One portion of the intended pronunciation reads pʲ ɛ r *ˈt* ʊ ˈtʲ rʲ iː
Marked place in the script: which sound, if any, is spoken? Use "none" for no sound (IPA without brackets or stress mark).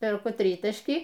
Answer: k